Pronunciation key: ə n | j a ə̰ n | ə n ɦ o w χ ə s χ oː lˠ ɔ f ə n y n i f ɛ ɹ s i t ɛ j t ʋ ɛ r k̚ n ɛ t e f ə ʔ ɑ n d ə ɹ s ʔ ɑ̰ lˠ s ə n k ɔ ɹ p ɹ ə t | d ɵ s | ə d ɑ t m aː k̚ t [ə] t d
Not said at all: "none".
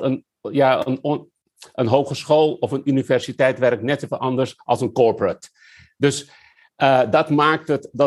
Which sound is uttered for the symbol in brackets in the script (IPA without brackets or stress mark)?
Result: ə